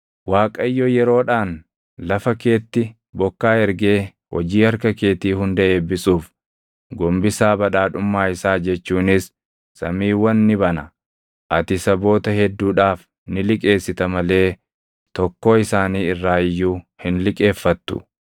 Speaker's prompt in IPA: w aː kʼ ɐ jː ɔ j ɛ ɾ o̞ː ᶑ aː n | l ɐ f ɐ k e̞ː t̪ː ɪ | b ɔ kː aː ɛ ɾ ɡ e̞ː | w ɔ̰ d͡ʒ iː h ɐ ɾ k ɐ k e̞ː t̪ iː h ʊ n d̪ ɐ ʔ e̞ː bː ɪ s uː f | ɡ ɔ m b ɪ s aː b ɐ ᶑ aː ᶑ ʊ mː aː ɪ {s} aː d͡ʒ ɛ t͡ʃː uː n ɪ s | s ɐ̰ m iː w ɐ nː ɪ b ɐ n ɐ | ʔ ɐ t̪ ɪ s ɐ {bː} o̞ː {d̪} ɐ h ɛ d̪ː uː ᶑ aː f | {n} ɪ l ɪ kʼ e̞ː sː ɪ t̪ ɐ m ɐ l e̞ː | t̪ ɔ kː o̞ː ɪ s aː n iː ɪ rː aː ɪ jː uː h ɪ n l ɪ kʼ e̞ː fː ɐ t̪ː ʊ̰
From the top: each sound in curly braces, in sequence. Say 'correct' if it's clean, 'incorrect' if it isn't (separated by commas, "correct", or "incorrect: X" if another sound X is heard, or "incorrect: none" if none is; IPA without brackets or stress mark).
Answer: correct, incorrect: b, incorrect: t̪, correct